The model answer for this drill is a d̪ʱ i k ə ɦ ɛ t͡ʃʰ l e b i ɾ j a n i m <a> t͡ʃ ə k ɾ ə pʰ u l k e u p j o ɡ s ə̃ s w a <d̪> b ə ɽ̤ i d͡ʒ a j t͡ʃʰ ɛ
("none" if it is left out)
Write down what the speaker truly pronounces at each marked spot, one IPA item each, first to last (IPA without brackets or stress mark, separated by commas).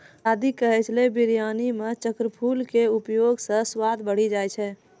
e, d̪